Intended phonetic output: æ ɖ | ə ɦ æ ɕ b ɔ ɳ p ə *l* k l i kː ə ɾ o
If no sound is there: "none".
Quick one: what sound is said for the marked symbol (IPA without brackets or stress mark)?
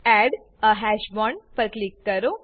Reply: ɾ